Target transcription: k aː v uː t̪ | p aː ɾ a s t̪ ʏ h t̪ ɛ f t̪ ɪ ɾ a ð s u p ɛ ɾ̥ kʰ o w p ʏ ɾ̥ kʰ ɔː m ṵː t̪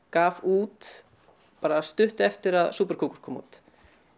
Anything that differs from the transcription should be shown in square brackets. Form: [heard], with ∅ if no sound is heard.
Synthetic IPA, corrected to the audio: k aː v uː t̪ | p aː ɾ a s t̪ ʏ h t̪ ɛ f t̪ ɪ ɾ a ð s [uː] p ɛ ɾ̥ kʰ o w [k] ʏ ɾ̥ kʰ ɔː m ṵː t̪